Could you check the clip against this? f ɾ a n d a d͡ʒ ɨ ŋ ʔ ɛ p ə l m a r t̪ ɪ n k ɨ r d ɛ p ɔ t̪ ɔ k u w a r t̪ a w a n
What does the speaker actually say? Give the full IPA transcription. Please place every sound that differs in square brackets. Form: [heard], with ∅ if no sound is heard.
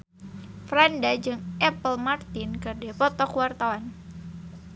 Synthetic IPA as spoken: f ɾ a n d a d͡ʒ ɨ ŋ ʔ ɛ p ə l m a r t̪ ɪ n k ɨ r d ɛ p ɔ t̪ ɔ k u w a r t̪ a w a n